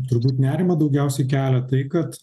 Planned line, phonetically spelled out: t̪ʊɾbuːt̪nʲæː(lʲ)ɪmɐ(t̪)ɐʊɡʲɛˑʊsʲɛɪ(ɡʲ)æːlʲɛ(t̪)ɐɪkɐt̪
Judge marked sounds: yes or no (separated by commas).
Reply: no, no, no, yes